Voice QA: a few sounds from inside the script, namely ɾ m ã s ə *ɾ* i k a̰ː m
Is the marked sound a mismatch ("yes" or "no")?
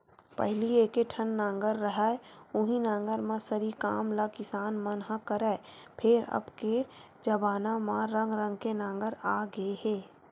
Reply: no